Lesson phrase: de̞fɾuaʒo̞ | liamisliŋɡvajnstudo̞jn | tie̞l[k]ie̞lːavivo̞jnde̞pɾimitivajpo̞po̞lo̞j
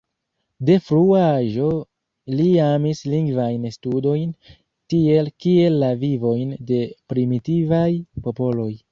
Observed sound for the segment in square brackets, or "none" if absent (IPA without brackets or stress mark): k